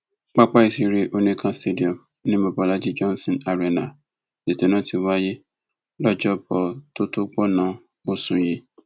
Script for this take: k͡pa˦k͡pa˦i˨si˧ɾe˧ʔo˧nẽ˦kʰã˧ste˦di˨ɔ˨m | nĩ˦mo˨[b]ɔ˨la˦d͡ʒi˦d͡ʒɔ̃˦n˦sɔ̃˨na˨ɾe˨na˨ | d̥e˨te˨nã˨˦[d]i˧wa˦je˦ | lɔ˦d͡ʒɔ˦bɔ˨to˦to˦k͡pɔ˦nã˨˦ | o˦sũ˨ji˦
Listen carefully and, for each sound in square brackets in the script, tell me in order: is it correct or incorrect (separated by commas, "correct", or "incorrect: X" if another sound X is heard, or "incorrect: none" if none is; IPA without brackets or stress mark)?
correct, incorrect: t